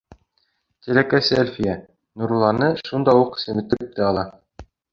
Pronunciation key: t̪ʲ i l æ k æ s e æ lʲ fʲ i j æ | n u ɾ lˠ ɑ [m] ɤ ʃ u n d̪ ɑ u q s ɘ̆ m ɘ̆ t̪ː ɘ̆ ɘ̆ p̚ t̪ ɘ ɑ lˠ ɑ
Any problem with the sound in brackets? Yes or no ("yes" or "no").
yes